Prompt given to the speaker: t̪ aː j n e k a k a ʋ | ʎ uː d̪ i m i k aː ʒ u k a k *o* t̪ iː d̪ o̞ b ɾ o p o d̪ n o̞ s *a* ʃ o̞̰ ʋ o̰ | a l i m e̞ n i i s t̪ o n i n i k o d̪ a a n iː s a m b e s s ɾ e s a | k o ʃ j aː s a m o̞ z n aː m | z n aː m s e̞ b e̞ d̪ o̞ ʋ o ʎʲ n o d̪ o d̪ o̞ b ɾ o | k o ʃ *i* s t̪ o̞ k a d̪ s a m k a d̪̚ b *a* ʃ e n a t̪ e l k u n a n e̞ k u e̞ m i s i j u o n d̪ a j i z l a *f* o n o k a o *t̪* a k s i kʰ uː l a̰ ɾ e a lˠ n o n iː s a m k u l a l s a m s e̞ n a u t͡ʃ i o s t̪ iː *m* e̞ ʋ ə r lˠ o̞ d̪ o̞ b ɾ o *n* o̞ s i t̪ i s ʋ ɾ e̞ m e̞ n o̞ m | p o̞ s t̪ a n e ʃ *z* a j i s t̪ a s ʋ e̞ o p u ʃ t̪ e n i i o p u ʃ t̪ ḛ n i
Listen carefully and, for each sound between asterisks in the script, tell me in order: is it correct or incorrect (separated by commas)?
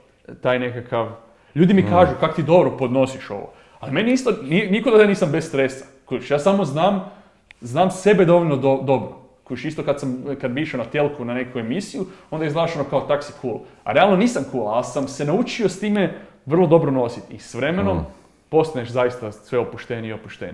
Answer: correct, incorrect, correct, incorrect, incorrect, correct, correct, correct, correct